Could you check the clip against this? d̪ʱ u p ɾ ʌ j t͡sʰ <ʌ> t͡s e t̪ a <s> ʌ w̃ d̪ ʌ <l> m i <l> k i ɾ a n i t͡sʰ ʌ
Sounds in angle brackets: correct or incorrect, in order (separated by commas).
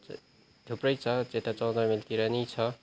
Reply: correct, incorrect, incorrect, correct